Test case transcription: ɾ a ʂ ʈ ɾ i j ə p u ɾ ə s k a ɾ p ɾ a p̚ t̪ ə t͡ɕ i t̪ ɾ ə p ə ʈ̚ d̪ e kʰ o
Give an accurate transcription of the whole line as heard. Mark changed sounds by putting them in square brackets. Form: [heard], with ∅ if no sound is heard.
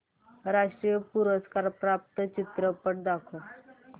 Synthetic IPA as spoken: ɾ a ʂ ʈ ɾ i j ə p u ɾ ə s k a ɾ p ɾ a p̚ t̪ ə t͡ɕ i t̪ ɾ ə p ə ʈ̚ d̪ [a] kʰ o